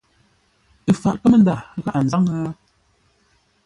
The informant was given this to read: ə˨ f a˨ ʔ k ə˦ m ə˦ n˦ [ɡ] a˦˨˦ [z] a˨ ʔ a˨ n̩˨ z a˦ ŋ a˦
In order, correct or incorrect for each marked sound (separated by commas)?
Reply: incorrect, incorrect